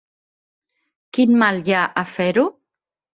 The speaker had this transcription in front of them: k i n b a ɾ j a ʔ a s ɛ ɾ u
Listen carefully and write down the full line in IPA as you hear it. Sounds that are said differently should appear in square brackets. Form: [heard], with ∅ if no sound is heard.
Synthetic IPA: k i n [m] a [l] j a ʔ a [f] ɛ ɾ u